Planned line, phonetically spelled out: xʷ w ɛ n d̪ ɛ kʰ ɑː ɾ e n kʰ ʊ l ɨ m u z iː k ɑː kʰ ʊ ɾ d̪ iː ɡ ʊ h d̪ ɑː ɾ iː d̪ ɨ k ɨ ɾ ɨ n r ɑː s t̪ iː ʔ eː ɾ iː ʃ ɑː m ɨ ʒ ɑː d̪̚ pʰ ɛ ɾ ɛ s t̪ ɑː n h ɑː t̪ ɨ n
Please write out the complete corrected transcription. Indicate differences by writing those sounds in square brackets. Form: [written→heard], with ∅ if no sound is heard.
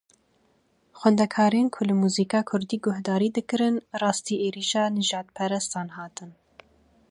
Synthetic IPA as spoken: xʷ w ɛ n d̪ ɛ kʰ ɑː ɾ e n kʰ ʊ l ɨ m u z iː k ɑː kʰ ʊ ɾ d̪ iː ɡ ʊ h d̪ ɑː ɾ iː d̪ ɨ k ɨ ɾ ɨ n r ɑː s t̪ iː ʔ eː ɾ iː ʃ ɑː [m→n] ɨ ʒ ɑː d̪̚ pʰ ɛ ɾ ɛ s t̪ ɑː n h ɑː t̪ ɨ n